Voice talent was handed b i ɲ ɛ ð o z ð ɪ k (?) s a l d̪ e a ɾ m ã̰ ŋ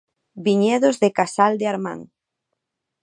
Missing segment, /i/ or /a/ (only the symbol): a